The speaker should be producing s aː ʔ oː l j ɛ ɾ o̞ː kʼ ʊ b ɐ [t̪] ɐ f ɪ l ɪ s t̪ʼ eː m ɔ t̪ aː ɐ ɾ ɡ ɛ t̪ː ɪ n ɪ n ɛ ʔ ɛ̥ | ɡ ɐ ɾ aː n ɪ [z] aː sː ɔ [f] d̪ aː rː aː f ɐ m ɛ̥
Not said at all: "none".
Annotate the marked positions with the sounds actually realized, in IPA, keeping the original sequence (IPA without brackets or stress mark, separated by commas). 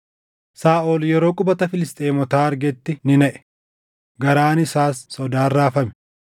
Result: t̪, s, none